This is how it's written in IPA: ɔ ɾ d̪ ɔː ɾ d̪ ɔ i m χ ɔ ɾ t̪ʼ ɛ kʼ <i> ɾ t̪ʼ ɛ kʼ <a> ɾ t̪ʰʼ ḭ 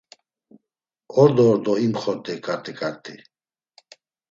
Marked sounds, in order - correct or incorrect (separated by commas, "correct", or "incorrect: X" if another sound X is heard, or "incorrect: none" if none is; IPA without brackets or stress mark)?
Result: incorrect: a, correct